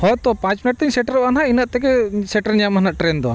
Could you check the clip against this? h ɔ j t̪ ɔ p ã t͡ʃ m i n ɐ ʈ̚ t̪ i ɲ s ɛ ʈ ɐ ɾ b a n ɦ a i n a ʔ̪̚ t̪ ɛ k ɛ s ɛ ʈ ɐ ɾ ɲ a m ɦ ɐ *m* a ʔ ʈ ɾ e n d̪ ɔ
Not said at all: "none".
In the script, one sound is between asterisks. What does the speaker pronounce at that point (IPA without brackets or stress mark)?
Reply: n